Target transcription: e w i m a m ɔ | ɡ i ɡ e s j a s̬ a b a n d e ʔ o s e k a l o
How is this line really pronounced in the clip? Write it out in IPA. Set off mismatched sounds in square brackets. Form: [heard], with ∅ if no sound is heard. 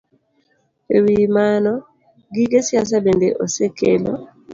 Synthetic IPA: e w i m a [n] ɔ | ɡ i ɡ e s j a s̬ a b [e] n d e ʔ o s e k [e] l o

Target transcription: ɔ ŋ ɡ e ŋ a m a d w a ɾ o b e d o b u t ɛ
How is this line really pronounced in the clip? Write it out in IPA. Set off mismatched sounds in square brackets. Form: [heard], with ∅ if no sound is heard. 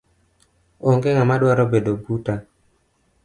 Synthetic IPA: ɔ ŋ ɡ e ŋ a m a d w a ɾ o b e d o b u t [a]

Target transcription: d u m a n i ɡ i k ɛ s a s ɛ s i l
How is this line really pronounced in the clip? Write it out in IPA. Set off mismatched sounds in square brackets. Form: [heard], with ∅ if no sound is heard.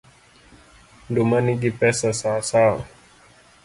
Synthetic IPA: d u m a n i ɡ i [p] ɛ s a s [a] s [a] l

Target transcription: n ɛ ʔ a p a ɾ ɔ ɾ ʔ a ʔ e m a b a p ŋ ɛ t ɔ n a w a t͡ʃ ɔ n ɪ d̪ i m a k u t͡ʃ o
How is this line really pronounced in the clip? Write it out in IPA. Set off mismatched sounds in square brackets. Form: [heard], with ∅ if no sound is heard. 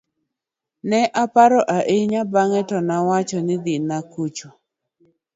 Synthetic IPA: n ɛ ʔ a p a ɾ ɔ [∅] ʔ a ʔ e [ɲ] a b a [∅] ŋ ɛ t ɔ n a w a t͡ʃ ɔ n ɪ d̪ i [n] a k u t͡ʃ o

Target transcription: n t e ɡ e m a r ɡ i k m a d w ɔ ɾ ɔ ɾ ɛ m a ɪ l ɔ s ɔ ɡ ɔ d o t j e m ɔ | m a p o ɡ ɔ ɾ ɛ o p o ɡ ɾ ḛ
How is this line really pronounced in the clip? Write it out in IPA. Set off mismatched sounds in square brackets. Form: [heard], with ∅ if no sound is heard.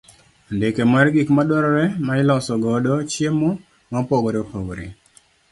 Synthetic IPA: n [d] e [k] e m a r ɡ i k m a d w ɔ ɾ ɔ ɾ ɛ m a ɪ l ɔ s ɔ ɡ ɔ d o [t͡ʃ] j e m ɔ | m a p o ɡ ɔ ɾ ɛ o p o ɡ ɾ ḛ

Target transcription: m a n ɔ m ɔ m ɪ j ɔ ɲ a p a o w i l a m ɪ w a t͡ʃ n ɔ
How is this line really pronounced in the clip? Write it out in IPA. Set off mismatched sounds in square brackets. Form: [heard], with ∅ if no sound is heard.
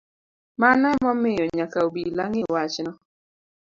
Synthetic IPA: m a n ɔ m ɔ m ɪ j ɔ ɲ a [k] a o [b] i l a [ŋ] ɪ w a t͡ʃ n ɔ

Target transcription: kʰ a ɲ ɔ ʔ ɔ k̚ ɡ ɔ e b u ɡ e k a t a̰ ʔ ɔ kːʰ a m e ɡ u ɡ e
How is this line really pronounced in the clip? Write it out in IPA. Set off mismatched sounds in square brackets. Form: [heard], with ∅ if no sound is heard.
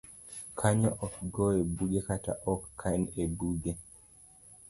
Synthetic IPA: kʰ a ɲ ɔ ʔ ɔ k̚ ɡ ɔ e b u ɡ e k a t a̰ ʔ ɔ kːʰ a [n] e [b] u ɡ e

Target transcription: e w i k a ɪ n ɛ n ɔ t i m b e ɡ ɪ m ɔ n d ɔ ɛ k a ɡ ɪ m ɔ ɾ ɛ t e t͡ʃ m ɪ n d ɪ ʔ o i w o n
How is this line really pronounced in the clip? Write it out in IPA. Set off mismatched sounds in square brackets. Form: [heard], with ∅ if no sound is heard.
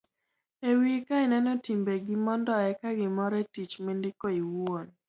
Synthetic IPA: e w i k a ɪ n ɛ n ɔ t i m b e ɡ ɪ m ɔ n d ɔ ɛ k a ɡ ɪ m ɔ ɾ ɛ t [i] t͡ʃ m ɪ n d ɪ [k] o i w o n

